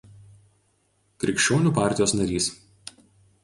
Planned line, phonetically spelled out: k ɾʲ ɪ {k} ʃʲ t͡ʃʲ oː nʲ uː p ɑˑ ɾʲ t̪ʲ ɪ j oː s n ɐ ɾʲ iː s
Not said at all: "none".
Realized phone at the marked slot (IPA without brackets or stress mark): k